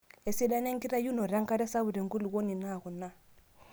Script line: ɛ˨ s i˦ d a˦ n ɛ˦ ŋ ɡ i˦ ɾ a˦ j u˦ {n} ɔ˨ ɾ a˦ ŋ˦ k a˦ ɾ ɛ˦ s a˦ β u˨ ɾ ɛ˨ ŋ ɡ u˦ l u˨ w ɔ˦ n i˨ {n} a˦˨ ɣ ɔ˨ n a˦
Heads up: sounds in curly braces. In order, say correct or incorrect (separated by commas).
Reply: correct, correct